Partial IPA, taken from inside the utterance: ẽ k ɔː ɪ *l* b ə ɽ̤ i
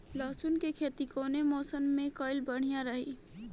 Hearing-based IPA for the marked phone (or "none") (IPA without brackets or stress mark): l